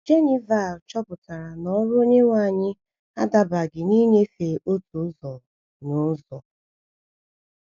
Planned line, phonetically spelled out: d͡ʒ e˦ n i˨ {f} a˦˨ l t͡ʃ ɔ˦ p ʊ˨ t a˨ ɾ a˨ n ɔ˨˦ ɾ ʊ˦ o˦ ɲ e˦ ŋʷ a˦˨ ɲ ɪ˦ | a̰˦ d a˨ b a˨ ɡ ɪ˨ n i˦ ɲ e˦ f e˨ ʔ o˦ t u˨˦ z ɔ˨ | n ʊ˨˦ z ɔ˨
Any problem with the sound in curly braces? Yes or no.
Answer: yes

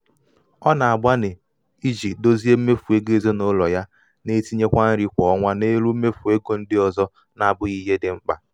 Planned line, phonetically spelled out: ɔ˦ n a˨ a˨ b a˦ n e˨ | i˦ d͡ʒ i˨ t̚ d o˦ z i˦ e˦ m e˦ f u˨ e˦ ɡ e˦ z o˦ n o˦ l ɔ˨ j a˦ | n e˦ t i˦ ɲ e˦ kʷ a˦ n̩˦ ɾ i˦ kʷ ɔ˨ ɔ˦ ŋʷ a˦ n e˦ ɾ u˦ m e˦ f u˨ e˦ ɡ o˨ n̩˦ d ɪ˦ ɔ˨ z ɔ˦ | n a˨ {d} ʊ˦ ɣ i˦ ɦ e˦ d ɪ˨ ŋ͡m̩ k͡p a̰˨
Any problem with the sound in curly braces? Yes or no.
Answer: yes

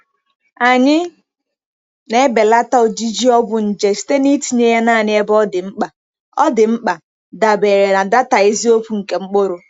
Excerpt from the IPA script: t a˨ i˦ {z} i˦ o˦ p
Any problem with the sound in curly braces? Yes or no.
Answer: no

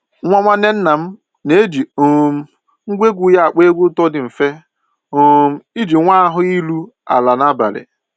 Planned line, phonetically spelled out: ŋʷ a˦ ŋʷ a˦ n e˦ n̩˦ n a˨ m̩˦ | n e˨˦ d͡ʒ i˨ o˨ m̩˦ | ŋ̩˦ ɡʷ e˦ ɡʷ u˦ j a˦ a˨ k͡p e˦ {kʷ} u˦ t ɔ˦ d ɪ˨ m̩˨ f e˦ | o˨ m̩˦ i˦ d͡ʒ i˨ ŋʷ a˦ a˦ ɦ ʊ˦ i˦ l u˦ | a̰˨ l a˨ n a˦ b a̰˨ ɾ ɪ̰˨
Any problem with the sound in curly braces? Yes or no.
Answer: yes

